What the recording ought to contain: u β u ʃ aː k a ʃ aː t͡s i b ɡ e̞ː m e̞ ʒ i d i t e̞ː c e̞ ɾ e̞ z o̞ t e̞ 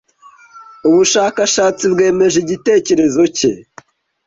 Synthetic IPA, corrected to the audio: u β u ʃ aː k a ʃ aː t͡s i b ɡ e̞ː m e̞ ʒ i ɟ i t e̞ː c e̞ ɾ e̞ z o̞ c e̞